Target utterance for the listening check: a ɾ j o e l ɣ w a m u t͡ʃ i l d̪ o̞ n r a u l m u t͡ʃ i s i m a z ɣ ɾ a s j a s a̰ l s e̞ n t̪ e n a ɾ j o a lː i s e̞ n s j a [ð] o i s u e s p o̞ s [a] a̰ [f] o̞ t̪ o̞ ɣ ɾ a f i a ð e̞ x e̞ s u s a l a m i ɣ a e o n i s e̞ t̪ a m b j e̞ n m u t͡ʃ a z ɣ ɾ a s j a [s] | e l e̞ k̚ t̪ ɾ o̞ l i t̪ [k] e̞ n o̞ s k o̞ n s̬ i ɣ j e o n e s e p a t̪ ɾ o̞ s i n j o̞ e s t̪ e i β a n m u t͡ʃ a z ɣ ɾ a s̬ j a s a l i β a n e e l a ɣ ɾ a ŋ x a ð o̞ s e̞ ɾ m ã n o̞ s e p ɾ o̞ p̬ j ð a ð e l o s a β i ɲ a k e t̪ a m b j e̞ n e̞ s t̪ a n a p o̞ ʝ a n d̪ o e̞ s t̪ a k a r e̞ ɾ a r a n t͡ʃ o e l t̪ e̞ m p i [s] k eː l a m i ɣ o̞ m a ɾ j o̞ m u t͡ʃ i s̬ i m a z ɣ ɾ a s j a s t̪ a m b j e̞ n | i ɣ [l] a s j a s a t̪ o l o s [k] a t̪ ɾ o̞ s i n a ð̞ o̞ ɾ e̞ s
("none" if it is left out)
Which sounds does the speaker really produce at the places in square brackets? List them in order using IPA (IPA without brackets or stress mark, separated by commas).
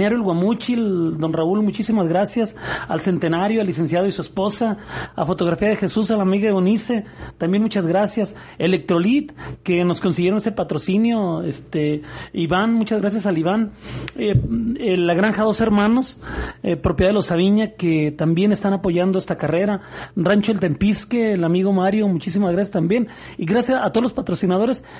ð, a, f, s, k, s, ɾ, p